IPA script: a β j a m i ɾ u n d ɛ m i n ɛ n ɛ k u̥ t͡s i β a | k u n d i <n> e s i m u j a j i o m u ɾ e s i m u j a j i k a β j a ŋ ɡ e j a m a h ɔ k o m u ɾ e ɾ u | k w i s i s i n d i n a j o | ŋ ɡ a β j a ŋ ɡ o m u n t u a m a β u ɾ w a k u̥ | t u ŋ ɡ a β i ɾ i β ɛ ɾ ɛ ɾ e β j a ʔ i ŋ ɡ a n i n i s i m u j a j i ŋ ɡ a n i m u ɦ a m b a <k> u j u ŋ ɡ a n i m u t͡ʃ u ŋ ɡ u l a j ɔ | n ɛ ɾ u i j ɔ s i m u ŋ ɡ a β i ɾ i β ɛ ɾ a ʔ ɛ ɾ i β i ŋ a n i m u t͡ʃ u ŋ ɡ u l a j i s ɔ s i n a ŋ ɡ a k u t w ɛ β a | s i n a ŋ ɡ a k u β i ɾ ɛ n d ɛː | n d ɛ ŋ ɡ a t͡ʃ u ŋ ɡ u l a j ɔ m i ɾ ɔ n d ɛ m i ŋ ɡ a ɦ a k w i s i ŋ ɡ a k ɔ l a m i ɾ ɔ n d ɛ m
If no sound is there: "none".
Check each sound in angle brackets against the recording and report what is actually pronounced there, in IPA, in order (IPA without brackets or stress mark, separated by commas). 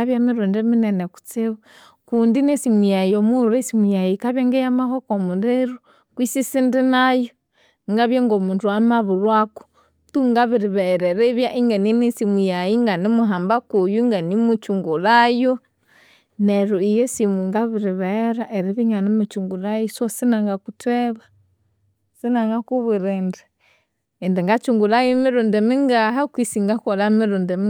n, k